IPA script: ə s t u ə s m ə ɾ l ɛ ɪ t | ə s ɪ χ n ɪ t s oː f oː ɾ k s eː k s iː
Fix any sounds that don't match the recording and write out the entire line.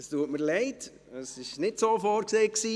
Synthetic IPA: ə s t u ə t m ə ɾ l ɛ ɪ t | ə s ɪ ʃ n ɪ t s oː f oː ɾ k s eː k s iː